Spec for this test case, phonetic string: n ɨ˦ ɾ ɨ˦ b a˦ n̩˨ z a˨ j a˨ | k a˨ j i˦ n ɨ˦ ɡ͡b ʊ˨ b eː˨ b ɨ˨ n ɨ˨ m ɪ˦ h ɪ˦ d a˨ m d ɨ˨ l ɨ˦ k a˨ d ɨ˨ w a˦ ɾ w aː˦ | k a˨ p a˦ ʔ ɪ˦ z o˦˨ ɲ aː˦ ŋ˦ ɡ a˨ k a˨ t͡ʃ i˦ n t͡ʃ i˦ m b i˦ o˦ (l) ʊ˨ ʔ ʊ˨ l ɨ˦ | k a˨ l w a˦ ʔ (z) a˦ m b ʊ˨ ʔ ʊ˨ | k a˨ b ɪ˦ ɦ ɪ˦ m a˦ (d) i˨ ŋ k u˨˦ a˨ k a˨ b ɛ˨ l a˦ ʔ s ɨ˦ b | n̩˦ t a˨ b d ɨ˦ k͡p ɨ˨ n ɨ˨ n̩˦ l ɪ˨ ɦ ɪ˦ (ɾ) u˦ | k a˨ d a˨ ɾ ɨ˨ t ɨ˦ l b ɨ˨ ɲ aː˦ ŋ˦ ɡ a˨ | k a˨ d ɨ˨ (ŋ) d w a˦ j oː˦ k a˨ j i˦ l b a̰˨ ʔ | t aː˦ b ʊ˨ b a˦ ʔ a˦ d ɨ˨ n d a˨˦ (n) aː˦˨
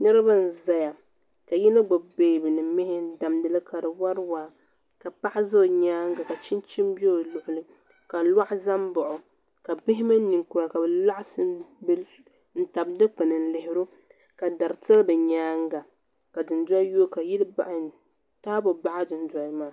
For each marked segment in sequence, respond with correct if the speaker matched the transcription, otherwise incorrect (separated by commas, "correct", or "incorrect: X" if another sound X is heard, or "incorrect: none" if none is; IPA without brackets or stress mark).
correct, correct, incorrect: n, correct, incorrect: n, incorrect: m